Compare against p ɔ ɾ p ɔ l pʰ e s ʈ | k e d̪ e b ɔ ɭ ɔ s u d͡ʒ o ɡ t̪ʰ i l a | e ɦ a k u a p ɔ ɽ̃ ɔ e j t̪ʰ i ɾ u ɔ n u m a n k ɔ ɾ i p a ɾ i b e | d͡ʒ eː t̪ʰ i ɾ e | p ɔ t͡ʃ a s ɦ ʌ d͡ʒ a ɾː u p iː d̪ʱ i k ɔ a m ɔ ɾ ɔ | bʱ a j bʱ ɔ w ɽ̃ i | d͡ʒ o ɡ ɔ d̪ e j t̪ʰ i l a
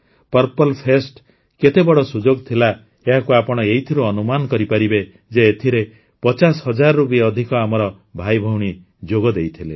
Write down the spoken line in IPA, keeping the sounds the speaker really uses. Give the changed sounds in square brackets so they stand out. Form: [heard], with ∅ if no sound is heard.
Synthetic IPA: p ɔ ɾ p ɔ l pʰ e s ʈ | k e [t̪] e b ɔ [ɽ] ɔ s u d͡ʒ o ɡ t̪ʰ i l a | e ɦ a k u a p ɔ ɽ̃ ɔ e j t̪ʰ i ɾ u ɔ n u m a n k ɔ ɾ i p a ɾ i b e | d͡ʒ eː t̪ʰ i ɾ e | p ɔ t͡ʃ a s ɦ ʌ d͡ʒ a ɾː u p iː d̪ʱ i k ɔ a m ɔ ɾ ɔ | bʱ a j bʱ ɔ w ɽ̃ i | d͡ʒ o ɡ ɔ d̪ e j t̪ʰ i l [e]